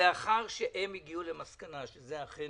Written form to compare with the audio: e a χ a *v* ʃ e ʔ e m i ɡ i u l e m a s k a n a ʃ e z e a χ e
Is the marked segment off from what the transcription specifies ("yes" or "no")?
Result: yes